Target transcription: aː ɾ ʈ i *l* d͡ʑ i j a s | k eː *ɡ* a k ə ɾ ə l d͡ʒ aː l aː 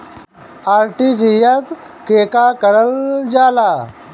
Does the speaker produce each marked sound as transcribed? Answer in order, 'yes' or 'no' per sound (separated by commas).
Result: no, no